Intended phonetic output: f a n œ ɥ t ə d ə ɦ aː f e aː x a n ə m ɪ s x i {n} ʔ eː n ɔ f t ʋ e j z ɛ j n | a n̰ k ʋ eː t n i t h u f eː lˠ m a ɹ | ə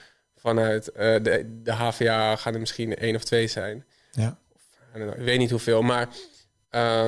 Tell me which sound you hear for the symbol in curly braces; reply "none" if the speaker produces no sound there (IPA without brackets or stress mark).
n